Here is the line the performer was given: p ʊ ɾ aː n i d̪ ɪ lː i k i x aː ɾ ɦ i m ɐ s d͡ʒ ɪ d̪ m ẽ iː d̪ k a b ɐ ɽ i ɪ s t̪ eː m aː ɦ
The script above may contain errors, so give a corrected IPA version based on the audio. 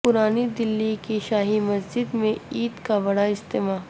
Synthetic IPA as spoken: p ʊ ɾ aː n i d̪ ɪ lː i k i ʃ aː ɦ i m ɐ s d͡ʒ ɪ d̪ m ẽ iː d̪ k a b ɐ ɽ a ɪ s t̪ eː m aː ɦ

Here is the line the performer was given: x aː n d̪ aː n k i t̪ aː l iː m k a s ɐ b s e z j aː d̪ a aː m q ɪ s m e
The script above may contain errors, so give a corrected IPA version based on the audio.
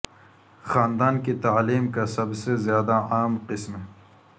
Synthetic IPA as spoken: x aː n d̪ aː n k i t̪ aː l iː m k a s ɐ b s e z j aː d̪ a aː m q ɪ s m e

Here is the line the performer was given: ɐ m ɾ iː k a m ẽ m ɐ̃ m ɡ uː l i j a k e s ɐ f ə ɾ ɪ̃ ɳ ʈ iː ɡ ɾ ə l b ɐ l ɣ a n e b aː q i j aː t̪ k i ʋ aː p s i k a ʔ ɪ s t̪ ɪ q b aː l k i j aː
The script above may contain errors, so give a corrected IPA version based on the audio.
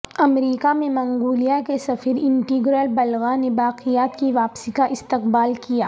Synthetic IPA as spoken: ɐ m ɾ iː k a m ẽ m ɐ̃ ŋ ɡ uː l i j a k e s ɐ f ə ɾ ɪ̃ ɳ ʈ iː ɡ ɾ ə l b ɐ l ɣ a n e b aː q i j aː t̪ k i ʋ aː p s i k a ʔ ɪ s t̪ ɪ q b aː l k i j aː

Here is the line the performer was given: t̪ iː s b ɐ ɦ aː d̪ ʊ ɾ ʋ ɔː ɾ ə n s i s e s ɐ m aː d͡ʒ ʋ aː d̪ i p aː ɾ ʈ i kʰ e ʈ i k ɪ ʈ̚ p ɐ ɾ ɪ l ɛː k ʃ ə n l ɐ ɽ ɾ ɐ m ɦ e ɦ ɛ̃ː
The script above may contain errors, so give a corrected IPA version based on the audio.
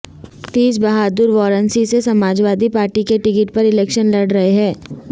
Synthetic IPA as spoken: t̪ iː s b ɐ ɦ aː d̪ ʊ ɾ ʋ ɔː ɾ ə n s i s e s ɐ m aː d͡ʒ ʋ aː d̪ i p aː ɾ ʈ i k e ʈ ɪ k ɪ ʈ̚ p ɐ ɾ ɪ l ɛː k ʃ ə n l ɐ ɽ ɾ ɐ ɦ e ɦ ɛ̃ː

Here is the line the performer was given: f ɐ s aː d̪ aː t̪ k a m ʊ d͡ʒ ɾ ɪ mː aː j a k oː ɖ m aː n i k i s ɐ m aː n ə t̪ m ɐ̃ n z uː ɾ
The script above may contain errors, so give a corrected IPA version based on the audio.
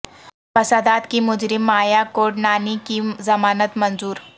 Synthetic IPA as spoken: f ɐ s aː d̪ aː t̪ k i m ʊ d͡ʒ ɾ ɪ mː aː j a k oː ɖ n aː n i k i z ɐ m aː n ə t̪ m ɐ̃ n z uː ɾ

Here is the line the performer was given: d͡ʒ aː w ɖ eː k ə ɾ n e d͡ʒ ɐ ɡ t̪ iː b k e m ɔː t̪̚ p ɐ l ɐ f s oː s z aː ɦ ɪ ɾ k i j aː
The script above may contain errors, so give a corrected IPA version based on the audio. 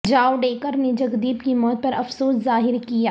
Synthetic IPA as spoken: d͡ʒ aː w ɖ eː k ə ɾ n e d͡ʒ ɐ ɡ d̪ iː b k i m ɔː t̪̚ p ɐ ɾ ɐ f s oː s z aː ɦ ɪ ɾ k i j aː

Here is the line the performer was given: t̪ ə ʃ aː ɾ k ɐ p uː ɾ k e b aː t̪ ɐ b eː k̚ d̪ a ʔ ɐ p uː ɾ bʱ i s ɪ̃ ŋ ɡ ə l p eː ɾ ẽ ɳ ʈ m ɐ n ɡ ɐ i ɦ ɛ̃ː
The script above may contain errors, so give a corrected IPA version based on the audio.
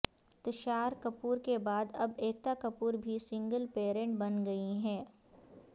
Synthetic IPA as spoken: t̪ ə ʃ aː ɾ k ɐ p uː ɾ k e b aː d̪ ɐ b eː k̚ t̪ a k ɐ p uː ɾ bʱ i s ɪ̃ ŋ ɡ ə l p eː ɾ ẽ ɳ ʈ b ɐ n ɡ ɐ i ɦ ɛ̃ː

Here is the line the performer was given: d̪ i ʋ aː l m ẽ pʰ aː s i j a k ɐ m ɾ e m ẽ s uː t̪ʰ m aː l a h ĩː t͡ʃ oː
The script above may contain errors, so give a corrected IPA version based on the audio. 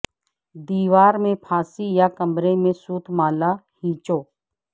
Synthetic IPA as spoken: d̪ iː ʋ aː ɾ m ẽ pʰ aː s i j a k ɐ m ɾ e m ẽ s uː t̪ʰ m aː l a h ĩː t͡ʃ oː

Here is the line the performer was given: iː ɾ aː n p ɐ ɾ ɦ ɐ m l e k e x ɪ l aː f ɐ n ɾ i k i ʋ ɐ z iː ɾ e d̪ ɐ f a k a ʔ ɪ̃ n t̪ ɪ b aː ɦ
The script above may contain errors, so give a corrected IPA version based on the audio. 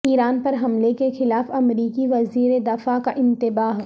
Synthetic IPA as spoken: iː ɾ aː n p ɐ ɾ ɦ ɐ m l e k e x ɪ l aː f ɐ m ɾ iː k i ʋ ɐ z iː ɾ e d̪ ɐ f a k a ʔ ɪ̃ n t̪ ɪ b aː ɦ

